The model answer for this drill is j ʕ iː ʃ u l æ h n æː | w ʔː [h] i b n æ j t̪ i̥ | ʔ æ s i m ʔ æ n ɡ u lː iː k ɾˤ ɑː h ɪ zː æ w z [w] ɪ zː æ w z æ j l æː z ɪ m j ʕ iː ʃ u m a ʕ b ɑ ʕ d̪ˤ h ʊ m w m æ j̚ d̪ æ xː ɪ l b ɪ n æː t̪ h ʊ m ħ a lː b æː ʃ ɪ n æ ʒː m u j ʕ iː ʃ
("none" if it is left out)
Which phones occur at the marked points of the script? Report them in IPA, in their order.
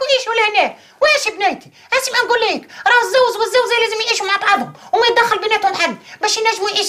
ʃ, w

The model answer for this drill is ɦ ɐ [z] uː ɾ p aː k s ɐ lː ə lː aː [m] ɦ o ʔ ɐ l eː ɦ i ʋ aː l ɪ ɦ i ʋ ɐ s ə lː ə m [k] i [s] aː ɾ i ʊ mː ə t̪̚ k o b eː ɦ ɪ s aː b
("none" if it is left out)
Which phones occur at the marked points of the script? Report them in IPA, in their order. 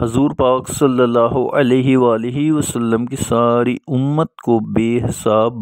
z, none, k, s

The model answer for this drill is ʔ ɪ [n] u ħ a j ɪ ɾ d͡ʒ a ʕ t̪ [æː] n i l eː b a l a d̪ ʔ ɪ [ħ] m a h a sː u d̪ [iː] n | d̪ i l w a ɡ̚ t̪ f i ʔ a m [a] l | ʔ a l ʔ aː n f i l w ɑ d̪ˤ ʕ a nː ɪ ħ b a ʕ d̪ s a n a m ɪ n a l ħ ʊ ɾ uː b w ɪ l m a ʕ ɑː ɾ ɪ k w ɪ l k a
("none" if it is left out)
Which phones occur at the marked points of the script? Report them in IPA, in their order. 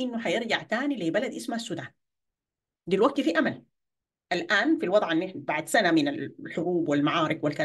nː, aː, s, aː, a

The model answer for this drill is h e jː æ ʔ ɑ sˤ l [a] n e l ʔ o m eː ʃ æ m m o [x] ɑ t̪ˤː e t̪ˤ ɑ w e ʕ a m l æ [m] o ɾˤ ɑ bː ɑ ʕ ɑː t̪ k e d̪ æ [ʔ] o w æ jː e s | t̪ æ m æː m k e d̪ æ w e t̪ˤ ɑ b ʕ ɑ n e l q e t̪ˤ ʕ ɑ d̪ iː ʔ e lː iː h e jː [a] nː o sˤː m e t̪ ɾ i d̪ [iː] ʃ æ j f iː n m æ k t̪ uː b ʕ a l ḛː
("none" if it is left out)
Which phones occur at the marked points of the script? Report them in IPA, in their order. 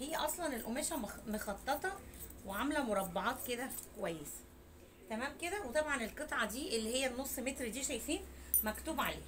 ɑ, x, m, k, æ, iː

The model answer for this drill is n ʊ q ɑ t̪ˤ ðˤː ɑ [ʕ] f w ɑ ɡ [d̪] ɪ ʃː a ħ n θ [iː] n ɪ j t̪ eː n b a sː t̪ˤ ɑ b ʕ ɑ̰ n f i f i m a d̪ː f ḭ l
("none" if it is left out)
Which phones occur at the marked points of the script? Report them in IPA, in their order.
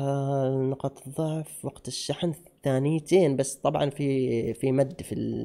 ʕ, t̪, aː

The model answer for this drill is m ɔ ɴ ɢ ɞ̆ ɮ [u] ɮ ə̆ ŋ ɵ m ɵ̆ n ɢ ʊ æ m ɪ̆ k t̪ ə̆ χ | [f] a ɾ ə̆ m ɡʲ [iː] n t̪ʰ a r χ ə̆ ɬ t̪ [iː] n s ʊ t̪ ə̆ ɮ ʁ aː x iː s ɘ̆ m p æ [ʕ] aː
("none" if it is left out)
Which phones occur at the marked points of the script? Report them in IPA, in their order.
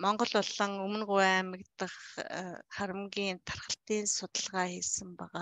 ʊ, χ, iː, iː, ʁ

